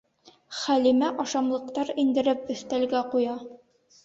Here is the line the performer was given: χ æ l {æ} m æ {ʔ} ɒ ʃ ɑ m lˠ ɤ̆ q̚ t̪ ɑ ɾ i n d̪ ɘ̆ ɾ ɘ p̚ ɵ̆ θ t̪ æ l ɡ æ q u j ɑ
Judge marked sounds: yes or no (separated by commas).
no, yes